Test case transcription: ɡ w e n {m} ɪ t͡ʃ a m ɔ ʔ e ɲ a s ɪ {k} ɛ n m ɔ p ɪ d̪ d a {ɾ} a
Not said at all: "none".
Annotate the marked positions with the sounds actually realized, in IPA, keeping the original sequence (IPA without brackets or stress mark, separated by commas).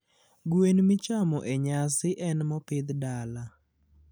m, ʔ, l